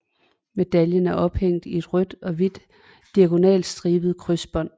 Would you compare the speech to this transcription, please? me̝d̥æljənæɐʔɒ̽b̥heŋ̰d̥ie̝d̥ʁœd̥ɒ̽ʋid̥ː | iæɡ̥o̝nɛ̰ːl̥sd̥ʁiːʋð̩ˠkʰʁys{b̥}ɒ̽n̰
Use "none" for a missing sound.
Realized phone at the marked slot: b̥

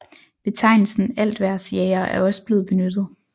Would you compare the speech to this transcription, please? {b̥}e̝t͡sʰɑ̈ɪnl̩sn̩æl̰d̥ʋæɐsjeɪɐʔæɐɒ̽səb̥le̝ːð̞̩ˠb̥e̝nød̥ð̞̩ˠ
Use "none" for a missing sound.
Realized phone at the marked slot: b̥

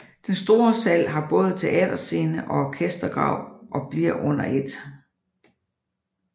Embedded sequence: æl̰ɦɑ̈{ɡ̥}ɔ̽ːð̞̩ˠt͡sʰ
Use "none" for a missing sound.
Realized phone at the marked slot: b̥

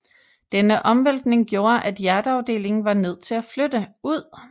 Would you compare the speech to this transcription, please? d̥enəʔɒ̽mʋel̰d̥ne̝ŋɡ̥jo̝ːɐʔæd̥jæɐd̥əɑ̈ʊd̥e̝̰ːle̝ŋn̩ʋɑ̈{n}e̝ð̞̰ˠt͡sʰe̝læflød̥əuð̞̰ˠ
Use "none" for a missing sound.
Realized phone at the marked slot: n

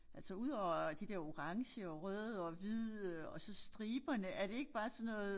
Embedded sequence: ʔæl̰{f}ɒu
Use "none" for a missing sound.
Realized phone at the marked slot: s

